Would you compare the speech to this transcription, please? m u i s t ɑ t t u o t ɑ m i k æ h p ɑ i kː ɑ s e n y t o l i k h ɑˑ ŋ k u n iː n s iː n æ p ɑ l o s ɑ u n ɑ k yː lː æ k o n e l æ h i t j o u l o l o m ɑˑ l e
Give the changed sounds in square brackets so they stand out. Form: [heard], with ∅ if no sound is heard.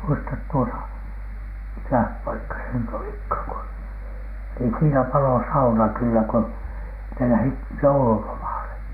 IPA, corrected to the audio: m u i s t ɑ t t u o t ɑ m i k æ h p ɑ i kː ɑ s e n y t o l i k h ɑˑ ŋ k u n iː n s iː n æ p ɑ l o s ɑ u n ɑ k [y] lː æ k o n e l æ h i t j o u l [u] l o m ɑˑ l e